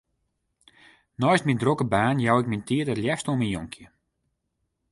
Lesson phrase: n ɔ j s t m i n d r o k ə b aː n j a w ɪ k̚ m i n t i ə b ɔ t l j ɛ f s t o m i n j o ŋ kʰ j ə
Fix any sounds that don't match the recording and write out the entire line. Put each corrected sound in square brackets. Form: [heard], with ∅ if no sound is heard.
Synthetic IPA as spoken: n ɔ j s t m i n d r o k ə b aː n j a w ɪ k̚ m i n t i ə [d] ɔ t l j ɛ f s t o m i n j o ŋ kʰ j ə

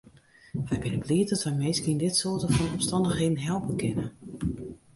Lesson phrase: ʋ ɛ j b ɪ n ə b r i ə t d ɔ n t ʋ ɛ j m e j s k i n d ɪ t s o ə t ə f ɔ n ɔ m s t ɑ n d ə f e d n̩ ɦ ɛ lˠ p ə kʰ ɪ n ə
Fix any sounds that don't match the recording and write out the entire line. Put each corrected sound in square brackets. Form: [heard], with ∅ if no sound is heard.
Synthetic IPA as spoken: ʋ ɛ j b ɪ n ə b [l] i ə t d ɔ [∅] t ʋ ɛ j m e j s k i n d ɪ t s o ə t ə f ɔ n ɔ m s t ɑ n d ə [x] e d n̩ ɦ ɛ lˠ p ə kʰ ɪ n ə

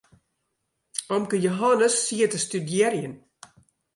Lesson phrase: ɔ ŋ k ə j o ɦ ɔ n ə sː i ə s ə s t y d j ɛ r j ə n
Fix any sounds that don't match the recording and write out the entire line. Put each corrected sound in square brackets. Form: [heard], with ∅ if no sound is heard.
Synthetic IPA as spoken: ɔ [m] k ə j o ɦ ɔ n ə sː i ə [t] ə s t y d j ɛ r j ə n

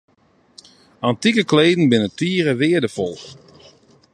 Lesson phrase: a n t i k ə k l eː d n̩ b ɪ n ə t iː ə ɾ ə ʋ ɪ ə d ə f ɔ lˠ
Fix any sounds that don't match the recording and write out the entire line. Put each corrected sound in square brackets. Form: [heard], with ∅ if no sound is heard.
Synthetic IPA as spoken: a n t i k ə k l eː d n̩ b ɪ n ə t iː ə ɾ ə ʋ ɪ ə d ə f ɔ lˠ

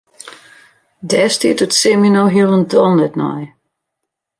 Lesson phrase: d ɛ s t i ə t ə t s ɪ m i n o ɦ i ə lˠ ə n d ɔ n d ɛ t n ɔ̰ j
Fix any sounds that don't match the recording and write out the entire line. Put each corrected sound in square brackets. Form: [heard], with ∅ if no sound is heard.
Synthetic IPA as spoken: d ɛ s t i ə t ə t s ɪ m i n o ɦ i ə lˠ ə n d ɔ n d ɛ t n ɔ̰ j

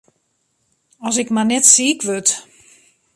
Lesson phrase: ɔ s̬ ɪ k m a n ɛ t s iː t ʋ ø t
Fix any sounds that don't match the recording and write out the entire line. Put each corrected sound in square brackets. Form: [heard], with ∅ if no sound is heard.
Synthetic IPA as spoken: ɔ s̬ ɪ k m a n ɛ t s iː [k] ʋ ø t

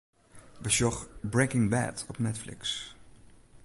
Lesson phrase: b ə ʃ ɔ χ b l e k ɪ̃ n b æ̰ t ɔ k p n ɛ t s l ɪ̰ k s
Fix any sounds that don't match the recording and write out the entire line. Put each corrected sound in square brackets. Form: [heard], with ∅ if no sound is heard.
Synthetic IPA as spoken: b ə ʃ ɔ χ b [ɹ] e k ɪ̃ [ŋ] b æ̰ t ɔ [∅] p n ɛ t [f] l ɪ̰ k s

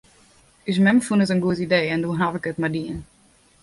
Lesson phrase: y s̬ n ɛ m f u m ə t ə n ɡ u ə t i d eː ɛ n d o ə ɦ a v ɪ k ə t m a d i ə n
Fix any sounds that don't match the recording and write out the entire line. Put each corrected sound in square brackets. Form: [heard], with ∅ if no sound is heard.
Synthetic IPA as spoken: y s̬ [m] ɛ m f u [n] ə t ə n ɡ u ə t i d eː ɛ n d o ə ɦ a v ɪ k ə t m a d i ə n

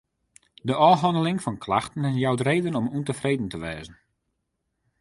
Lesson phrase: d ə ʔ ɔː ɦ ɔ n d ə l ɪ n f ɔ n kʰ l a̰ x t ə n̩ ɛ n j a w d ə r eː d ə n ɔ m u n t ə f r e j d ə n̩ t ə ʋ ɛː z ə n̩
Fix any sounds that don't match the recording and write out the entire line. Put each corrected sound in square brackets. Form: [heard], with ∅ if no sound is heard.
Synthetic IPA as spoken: d ə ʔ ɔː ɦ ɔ n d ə l ɪ [ŋ] f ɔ n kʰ l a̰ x t ə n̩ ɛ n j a w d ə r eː d ə n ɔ m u n t ə f r e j d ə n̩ t ə ʋ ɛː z ə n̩

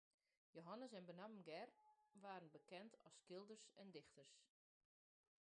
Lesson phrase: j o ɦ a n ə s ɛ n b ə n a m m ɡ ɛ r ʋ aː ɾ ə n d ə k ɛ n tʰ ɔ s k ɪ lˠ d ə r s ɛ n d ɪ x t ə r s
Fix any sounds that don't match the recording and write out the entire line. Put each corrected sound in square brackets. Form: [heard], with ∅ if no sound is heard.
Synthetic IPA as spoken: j o ɦ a n ə s ɛ n b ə n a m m ɡ ɛ r ʋ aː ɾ ə n [b] ə k ɛ n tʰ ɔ s k ɪ lˠ d ə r s ɛ n d ɪ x t ə r s

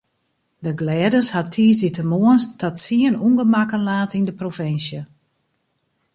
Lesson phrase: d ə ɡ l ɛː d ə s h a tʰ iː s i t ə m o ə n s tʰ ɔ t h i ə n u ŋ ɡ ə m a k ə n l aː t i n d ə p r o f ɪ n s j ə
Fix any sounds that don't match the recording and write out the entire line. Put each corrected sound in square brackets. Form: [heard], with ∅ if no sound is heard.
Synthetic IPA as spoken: d ə ɡ l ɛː d ə s h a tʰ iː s i t ə m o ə n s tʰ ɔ t [s] i ə n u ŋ ɡ ə m a k ə n l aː t i n d ə p r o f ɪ n s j ə

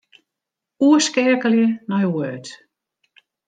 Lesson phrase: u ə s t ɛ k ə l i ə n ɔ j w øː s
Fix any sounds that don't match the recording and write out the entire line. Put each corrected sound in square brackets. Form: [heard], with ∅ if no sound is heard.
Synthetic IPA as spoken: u ə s [k] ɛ k ə l [j] ə n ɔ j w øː [t]

